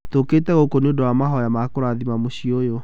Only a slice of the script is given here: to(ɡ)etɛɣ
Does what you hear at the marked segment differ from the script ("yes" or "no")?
yes